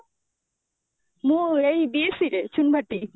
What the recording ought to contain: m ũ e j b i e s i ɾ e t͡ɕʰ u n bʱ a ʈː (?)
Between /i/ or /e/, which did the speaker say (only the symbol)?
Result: i